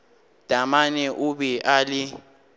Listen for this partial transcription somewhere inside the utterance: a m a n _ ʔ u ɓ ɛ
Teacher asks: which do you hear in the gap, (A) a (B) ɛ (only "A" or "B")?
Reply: B